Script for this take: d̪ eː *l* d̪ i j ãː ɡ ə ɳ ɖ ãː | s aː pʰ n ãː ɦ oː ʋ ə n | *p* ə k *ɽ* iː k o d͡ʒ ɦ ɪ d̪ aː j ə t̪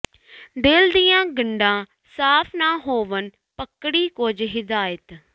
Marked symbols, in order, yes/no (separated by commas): yes, yes, yes